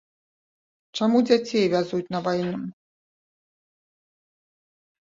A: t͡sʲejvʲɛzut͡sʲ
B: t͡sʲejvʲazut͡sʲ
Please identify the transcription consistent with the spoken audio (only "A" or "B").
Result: B